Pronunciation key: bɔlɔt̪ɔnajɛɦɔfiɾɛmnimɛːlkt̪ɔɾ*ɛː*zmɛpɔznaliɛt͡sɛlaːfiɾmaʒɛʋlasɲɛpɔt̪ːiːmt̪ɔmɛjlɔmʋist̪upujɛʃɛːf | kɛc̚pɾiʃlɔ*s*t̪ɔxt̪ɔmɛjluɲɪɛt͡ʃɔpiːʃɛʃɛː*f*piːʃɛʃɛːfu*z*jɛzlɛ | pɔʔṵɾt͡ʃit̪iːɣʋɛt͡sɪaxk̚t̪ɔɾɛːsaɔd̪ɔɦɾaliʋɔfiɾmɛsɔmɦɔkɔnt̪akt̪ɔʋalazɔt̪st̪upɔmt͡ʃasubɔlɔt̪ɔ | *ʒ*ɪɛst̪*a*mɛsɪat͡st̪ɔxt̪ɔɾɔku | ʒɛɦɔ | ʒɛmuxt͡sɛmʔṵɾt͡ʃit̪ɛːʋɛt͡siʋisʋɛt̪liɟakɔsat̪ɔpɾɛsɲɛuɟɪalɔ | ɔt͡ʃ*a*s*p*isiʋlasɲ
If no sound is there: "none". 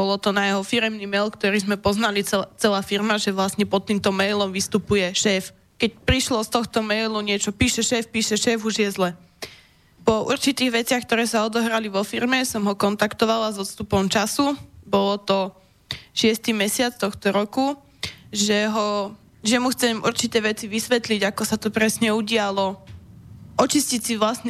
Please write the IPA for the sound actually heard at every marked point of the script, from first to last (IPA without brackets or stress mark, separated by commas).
iː, s, f, ʒ, ʃ, i, i, c